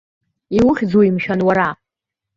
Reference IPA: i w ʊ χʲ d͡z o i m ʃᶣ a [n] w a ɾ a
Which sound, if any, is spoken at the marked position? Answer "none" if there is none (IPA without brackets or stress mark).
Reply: n